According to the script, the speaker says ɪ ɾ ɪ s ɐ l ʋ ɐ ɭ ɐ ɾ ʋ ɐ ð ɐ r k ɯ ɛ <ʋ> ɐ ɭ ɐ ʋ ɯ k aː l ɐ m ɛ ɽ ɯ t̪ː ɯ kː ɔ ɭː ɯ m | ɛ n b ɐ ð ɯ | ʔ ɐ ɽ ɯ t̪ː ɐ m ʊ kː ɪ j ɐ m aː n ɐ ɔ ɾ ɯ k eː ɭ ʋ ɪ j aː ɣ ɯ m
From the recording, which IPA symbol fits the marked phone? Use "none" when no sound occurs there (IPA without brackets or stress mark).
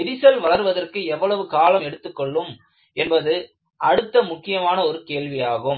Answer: ʋː